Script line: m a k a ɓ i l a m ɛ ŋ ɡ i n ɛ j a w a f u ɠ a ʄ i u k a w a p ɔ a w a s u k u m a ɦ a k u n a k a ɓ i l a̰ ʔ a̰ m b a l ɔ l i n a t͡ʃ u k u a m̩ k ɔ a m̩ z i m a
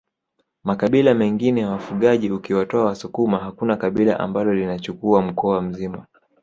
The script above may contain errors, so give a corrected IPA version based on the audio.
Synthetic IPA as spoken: m a k a ɓ i l a m ɛ ŋ ɡ i n ɛ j a w a f u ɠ a ʄ i u k i w a t ɔ a w a s u k u m a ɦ a k u n a k a ɓ i l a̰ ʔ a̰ m b a l ɔ l i n a t͡ʃ u k u a m̩ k ɔ a m̩ z i m a